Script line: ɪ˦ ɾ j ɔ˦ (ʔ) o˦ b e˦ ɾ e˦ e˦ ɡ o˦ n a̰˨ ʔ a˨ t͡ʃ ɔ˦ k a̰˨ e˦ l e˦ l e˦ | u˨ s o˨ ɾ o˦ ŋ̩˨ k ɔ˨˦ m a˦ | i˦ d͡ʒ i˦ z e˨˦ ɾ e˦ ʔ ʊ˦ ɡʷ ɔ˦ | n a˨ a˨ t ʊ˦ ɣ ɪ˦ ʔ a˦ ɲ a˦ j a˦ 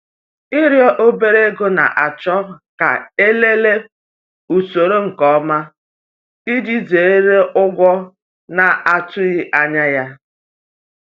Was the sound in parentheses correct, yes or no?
yes